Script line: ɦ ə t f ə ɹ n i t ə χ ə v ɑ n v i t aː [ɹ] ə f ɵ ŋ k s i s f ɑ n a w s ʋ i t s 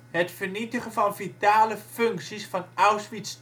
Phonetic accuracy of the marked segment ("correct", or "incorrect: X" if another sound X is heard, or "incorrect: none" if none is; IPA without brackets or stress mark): incorrect: l